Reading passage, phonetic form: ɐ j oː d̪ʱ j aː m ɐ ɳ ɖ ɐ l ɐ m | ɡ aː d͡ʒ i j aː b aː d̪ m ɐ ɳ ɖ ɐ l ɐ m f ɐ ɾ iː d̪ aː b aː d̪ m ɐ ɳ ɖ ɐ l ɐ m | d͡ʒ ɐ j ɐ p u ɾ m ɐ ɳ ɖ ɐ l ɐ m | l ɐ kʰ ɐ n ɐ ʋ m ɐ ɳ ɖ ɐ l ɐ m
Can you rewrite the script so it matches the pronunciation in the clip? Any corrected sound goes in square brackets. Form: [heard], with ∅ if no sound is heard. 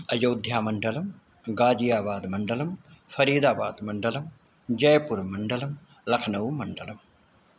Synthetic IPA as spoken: ɐ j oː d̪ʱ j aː m ɐ ɳ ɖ ɐ l ɐ m | ɡ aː d͡ʒ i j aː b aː d̪ m ɐ ɳ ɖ ɐ l ɐ m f ɐ ɾ iː d̪ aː b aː d̪ m ɐ ɳ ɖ ɐ l ɐ m | d͡ʒ ɐ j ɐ p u ɾ m ɐ ɳ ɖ ɐ l ɐ m | l ɐ kʰ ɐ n ɐ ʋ m ɐ ɳ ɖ ɐ l ɐ m

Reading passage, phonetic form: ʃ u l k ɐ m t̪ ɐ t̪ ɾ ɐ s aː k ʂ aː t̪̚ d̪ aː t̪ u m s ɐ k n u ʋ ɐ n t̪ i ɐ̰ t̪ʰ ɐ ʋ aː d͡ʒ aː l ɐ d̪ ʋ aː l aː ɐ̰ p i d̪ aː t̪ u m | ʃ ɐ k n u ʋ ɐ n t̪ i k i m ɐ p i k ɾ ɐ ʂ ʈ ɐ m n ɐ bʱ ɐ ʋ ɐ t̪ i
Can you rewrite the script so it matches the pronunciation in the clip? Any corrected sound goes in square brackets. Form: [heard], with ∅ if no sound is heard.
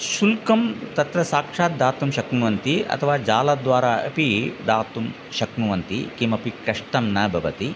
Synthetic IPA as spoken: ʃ u l k ɐ m t̪ ɐ t̪ ɾ ɐ s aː k ʂ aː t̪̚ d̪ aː t̪ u m [ʃ] ɐ k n u ʋ ɐ n t̪ i ɐ̰ t̪ʰ ɐ ʋ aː d͡ʒ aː l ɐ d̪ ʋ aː [ɾ] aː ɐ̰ p i d̪ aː t̪ u m | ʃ ɐ k n u ʋ ɐ n t̪ i k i m ɐ p i k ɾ ɐ ʂ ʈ ɐ m n ɐ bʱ ɐ ʋ ɐ t̪ i

